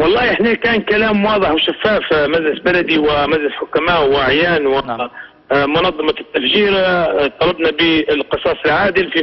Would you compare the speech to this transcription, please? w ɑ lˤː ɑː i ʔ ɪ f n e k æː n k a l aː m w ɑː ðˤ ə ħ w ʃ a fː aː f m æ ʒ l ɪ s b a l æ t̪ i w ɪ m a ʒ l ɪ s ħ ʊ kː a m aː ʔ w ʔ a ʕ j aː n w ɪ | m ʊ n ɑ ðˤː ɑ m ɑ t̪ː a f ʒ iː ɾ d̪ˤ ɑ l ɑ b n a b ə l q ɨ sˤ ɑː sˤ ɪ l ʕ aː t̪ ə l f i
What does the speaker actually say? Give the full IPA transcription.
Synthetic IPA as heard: w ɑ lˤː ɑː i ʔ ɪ ħ n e k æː n k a l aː m w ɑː ðˤ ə ħ w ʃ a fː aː f m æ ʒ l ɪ s b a l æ d̪ i w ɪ m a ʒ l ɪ s ħ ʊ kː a m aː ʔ w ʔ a ʕ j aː n w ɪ | m ʊ n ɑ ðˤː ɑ m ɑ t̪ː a f ʒ iː ɾ t̪ˤ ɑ l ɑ b n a b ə l q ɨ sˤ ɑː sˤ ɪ l ʕ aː d̪ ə l f i